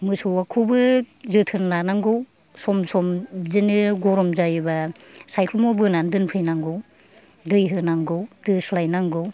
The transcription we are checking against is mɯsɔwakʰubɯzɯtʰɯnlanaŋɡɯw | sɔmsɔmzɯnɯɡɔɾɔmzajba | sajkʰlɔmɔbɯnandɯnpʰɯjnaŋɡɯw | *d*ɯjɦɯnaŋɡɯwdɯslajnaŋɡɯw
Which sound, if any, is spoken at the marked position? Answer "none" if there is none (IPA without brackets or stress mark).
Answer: d